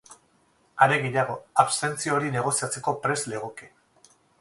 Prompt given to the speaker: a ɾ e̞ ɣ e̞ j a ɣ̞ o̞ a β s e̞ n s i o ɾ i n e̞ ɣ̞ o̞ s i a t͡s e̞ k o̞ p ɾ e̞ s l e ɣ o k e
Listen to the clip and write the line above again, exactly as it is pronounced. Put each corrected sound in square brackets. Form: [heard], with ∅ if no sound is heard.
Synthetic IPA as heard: a ɾ e̞ ɣ e̞ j a ɣ̞ o̞ a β s e̞ n [t͡s] i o ɾ i n e̞ ɣ̞ o̞ s i a t͡s e̞ k o̞ p ɾ e̞ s l e ɣ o k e